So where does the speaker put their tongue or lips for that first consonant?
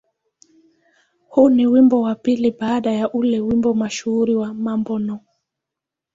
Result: throat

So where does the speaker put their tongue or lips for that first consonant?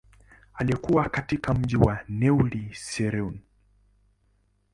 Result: tongue tip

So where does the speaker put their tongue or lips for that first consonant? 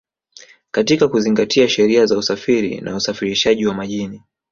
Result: velum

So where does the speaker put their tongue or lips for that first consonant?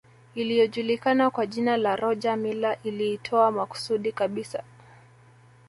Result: tongue tip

